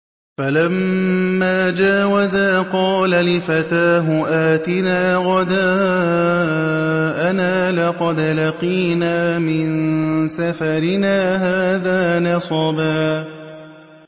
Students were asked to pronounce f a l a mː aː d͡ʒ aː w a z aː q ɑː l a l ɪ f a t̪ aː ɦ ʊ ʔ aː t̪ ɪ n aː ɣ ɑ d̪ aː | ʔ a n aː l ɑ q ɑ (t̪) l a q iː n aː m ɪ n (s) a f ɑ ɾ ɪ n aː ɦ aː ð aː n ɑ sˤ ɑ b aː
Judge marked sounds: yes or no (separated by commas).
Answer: no, yes